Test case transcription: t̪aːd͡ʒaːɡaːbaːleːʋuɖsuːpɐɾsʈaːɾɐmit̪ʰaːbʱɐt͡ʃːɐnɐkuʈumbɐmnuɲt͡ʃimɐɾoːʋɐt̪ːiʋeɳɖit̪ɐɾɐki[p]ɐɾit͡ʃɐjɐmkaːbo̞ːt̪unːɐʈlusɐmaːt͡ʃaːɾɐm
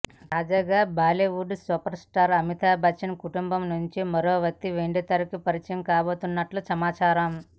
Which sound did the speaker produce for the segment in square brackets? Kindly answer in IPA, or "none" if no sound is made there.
p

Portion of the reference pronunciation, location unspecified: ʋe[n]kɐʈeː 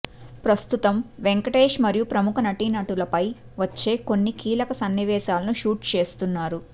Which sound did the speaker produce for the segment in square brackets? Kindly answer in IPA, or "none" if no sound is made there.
ŋ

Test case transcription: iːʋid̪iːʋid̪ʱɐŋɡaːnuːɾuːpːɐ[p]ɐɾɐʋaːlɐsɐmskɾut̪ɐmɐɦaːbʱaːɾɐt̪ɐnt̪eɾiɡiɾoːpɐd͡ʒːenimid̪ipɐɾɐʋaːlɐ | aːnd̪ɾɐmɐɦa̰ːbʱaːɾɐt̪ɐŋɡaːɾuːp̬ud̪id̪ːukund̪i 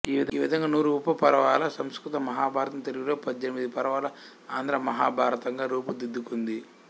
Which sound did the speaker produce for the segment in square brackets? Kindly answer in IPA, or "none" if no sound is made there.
p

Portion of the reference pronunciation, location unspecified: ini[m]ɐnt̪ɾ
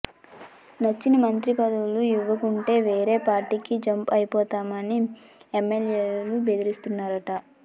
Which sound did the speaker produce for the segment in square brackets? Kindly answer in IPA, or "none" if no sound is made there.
m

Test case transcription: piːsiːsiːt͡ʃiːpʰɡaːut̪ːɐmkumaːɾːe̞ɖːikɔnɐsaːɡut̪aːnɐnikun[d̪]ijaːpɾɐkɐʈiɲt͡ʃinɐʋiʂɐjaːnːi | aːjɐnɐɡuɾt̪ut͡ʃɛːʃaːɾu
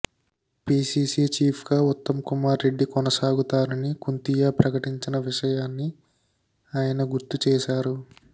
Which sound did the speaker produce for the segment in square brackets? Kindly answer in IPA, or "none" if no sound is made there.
t̪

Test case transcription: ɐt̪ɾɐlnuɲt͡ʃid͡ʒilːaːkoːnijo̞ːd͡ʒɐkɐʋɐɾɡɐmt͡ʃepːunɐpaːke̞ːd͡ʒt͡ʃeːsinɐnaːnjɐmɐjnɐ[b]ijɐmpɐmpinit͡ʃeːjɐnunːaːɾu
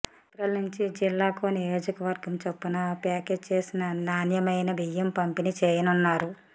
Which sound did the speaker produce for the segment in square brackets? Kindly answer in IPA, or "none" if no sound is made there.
b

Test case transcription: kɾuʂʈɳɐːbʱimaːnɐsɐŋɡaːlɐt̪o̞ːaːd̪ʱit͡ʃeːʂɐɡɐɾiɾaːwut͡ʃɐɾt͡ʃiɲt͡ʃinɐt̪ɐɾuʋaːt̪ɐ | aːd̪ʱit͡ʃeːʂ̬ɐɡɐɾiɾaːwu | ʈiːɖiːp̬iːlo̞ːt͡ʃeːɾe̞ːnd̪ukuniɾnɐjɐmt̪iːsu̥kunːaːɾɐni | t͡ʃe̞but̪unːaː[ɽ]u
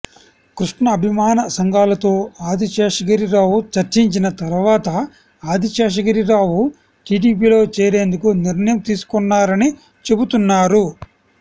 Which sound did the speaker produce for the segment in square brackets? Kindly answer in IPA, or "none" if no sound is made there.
ɾ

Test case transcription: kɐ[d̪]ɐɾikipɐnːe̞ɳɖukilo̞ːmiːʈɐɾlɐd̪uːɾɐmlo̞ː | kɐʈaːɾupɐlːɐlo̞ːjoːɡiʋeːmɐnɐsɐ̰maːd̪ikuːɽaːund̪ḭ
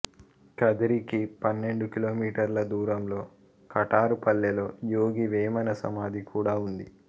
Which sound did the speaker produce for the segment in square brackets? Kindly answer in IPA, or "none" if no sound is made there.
d̪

